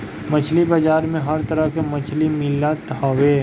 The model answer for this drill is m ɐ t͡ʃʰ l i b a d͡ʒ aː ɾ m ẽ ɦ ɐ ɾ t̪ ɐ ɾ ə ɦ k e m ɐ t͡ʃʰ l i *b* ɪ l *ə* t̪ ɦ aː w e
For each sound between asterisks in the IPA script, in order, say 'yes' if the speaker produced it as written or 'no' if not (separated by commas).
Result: no, no